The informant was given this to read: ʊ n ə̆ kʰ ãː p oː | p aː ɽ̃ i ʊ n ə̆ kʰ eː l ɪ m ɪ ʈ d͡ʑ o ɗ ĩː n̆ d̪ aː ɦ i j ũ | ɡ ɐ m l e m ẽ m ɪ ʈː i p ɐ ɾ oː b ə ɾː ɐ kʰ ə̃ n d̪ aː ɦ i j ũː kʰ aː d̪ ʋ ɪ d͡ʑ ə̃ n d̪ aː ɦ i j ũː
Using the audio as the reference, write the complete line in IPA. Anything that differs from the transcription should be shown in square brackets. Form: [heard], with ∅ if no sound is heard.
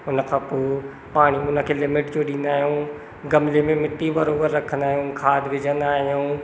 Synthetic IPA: ʊ n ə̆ kʰ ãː p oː | p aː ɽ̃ i ʊ n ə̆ kʰ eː l ɪ m ɪ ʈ d͡ʑ o ɗ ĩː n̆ d̪ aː ɦ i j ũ | ɡ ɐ m l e m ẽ m ɪ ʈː i [b] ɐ ɾ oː b ə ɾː ɐ kʰ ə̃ n d̪ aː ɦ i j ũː kʰ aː d̪ ʋ ɪ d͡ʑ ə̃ n d̪ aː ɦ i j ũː